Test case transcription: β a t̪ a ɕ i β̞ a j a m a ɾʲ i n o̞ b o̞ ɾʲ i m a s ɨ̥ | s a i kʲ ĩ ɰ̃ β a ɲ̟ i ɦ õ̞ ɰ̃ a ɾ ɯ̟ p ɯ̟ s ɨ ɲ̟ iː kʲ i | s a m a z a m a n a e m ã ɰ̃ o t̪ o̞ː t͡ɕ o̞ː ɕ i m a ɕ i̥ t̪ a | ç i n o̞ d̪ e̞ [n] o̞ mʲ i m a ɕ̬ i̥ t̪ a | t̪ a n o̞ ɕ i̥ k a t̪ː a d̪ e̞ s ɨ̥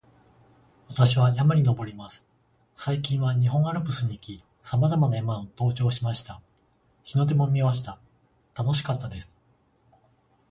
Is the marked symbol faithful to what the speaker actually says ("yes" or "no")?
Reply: no